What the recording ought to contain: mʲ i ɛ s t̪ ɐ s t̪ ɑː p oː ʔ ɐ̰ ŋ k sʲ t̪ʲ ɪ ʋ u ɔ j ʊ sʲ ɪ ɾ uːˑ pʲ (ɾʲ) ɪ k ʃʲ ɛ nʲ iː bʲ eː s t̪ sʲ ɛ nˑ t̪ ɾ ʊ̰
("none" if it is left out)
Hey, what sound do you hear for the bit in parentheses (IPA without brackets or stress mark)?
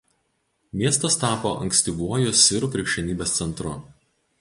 ɾʲ